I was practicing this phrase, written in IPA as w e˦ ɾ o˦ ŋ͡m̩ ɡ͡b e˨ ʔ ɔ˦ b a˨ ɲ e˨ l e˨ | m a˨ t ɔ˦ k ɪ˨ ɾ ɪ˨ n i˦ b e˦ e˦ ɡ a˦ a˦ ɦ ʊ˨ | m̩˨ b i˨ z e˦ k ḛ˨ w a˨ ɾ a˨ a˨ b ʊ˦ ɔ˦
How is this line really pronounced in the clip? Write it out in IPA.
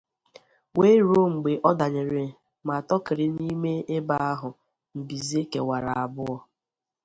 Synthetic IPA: w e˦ ɾ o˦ ŋ͡m̩ ɡ͡b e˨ ʔ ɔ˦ d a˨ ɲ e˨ ɾ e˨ | m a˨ t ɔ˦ k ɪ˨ ɾ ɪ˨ n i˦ m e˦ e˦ b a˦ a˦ ɦ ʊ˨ | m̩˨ b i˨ z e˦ k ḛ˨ w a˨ ɾ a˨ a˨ b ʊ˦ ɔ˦